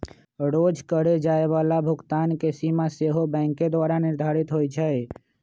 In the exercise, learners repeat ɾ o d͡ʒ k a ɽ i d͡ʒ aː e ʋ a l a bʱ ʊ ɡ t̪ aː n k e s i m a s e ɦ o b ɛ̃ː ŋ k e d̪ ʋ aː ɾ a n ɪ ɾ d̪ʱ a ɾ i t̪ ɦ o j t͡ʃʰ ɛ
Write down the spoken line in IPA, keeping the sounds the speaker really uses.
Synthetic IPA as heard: ɾ o d͡ʒ k ə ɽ e d͡ʒ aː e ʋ a l a bʱ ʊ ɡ t̪ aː n k e s i m a s e ɦ o b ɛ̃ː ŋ k e d̪ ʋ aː ɾ a n ɪ ɾ d̪ʱ a ɾ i t̪ ɦ o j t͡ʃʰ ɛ